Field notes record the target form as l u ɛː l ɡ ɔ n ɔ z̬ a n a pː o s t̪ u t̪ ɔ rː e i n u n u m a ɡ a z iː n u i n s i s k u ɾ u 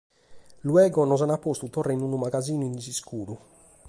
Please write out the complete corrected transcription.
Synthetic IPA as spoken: l u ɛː ɡ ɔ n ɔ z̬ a n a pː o s t̪ u t̪ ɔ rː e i n u n u m a ɡ a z iː n u i n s i s k uː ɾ u